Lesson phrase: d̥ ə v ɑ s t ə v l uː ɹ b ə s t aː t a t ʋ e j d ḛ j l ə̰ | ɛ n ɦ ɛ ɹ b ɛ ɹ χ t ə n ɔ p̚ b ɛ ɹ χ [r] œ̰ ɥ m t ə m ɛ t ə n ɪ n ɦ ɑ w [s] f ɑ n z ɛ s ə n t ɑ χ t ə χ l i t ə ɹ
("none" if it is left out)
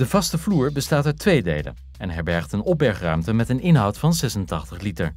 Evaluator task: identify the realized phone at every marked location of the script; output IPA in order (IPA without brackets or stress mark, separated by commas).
r, t